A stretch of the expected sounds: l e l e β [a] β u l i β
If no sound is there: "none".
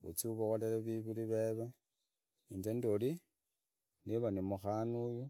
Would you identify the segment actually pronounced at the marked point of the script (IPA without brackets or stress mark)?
i